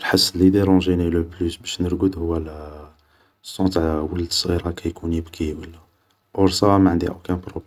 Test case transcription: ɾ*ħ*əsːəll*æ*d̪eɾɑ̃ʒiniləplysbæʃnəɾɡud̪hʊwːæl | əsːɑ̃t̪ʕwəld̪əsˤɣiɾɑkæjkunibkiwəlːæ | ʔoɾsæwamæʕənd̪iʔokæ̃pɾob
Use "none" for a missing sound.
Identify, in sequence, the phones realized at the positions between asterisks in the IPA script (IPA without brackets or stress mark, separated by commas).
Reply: ħ, i